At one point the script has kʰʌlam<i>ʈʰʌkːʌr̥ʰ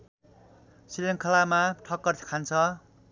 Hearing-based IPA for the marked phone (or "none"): a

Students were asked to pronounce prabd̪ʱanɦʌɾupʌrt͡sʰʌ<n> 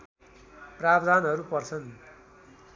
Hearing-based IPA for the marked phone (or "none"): n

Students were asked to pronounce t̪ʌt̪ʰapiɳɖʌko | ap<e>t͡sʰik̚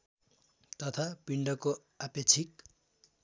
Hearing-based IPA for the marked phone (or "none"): e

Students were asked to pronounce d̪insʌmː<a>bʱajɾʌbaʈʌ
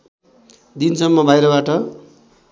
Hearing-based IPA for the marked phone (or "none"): ʌ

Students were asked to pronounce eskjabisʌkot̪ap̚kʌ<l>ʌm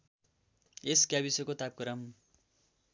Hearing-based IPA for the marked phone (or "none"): ɾ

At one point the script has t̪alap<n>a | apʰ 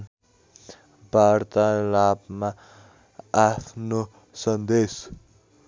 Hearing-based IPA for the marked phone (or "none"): m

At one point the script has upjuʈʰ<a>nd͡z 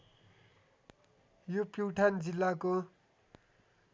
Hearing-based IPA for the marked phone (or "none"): a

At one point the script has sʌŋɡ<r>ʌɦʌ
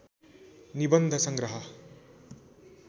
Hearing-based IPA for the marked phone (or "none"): ɾ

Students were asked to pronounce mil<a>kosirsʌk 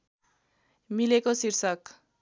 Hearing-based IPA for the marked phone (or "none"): e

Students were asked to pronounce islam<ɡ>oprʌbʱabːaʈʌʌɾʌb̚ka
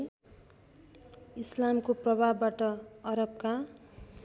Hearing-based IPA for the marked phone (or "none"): k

